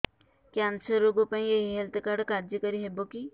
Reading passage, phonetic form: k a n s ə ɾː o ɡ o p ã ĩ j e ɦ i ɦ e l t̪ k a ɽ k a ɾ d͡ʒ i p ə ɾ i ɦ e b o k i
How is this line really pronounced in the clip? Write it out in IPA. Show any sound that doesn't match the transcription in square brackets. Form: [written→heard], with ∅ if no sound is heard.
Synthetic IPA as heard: k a n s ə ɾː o ɡ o p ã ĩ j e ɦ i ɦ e l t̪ k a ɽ k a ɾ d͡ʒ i [p→k] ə ɾ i ɦ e b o k i